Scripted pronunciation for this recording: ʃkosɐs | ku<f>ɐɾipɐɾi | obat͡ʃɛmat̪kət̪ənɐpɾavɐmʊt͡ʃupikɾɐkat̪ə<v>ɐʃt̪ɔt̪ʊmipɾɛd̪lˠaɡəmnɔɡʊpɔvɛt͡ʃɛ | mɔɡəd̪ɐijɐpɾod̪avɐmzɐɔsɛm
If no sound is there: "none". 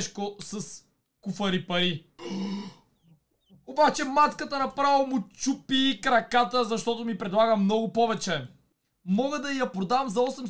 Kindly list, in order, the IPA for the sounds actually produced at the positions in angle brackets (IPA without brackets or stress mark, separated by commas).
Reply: f, z